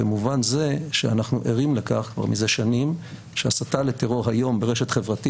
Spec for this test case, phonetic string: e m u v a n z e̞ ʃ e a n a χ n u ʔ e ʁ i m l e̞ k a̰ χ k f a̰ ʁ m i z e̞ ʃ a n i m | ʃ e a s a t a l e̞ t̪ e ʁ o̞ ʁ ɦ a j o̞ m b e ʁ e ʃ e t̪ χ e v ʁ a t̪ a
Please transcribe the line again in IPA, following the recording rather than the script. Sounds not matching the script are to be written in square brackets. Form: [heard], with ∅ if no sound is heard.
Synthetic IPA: e m u v a n z e̞ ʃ e a n a χ n u ʔ e ʁ i m l e̞ k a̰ χ k [v] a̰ ʁ m i z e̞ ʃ a n i m | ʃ e a s a t a l e̞ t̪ e ʁ o̞ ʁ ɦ a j o̞ m b e ʁ e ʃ e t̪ χ e v ʁ a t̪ [i]